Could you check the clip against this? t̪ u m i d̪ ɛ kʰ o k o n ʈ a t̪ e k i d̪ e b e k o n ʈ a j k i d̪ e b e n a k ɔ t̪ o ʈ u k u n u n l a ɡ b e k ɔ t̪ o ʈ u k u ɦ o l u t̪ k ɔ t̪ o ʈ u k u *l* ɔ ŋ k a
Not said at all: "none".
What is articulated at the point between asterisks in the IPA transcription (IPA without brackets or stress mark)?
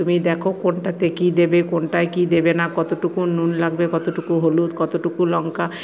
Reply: l